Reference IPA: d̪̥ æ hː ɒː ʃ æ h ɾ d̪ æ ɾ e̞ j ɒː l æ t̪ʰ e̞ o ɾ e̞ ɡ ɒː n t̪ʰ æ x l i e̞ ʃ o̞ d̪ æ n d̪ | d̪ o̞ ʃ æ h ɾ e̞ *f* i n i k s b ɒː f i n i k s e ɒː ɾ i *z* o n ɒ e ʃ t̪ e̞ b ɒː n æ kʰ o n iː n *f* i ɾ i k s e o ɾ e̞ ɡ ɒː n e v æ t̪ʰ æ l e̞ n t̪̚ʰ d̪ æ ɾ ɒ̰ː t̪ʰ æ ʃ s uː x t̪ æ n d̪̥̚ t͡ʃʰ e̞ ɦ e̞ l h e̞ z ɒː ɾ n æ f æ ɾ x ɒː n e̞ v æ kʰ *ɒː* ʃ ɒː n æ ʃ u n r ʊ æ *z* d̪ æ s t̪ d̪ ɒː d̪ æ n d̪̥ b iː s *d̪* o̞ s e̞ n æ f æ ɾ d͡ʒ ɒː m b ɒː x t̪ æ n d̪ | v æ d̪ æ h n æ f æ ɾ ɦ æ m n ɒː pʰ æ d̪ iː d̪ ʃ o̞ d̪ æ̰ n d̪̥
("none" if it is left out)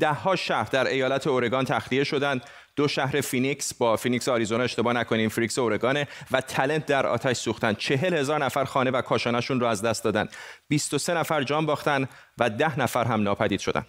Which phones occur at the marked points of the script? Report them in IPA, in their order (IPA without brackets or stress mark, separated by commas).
f, z, f, ɒː, z, t̪